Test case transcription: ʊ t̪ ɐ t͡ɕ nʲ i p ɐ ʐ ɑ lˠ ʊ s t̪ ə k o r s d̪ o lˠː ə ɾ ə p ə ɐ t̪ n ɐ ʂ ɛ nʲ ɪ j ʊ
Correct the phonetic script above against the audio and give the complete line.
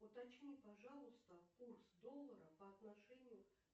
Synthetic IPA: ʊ t̪ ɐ t͡ɕ nʲ i p ɐ ʐ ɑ lˠ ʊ s t̪ ə k u r s d̪ o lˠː ə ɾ ə p ə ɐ t̪ n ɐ ʂ ɛ nʲ ɪ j ʊ